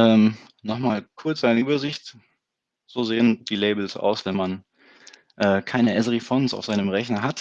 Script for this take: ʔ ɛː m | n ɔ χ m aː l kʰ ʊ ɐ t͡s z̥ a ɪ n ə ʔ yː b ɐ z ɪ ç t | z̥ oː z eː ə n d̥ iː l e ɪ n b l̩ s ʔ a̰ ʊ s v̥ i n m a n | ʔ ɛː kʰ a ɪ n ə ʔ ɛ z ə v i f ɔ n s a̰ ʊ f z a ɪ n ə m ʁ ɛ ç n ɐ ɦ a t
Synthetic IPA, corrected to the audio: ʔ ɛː m | n ɔ χ m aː l kʰ ʊ ɐ t͡s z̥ a ɪ n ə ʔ yː b ɐ z ɪ ç t | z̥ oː z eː ə n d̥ iː l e ɪ b l̩ s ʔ a̰ ʊ s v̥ ɛ n m a n | ʔ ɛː kʰ a ɪ n ə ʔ ɛ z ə ʁ i f ɔ n s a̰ ʊ f z a ɪ n ə m ʁ ɛ ç n ɐ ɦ a t